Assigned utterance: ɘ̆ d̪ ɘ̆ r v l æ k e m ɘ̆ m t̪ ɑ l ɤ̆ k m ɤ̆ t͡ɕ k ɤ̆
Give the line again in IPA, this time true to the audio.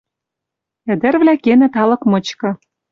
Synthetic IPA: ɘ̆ d̪ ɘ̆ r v l æ k e n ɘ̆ t̪ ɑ l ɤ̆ k m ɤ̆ t͡ɕ k ɤ̆